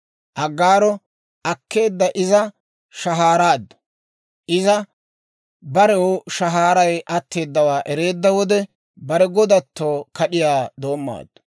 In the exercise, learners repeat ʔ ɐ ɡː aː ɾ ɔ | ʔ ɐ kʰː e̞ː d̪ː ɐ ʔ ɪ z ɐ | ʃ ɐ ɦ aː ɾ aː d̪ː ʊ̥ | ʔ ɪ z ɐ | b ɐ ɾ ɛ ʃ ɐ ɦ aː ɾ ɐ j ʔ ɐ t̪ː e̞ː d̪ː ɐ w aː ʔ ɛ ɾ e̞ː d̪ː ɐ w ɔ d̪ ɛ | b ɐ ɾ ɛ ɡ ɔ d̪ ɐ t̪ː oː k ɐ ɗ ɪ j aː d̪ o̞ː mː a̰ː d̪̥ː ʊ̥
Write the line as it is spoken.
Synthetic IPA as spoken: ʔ ɐ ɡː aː ɾ ɔ | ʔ ɐ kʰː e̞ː d̪ː ɐ ʔ ɪ z ɐ | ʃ ɐ ɦ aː ɾ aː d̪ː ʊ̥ | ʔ ɪ z ɐ | b ɐ ɾ ɛ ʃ ɐ ɦ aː ɾ ɐ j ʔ ɐ t̪ː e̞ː d̪ː ɐ w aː ʔ ɛ ɾ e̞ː d̪ː ɐ w ɔ d̪ ɛ | b ɐ ɾ ɛ ɡ ɔ d̪ ɐ t̪ː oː k ɐ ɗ ɪ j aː d̪ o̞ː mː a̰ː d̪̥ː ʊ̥